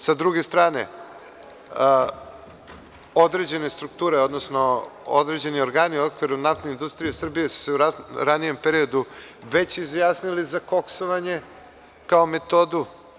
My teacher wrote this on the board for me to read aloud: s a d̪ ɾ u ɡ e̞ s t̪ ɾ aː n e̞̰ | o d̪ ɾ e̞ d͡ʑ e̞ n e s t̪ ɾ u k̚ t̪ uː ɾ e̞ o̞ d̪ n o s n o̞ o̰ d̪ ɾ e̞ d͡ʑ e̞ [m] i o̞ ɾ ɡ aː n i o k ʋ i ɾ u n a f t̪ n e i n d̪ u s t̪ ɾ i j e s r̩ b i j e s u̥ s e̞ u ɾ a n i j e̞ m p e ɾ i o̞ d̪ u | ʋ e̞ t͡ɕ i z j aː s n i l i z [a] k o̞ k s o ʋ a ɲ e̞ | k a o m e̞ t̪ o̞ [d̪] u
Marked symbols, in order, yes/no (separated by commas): no, yes, yes